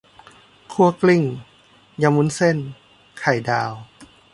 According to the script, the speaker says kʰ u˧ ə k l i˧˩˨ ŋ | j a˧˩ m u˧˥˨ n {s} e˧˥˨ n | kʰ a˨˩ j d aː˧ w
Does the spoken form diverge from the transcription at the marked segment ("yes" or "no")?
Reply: no